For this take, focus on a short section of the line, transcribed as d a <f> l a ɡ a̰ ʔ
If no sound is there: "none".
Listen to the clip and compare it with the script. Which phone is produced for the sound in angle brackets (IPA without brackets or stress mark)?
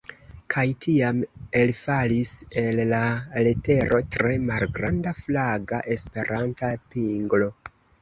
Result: f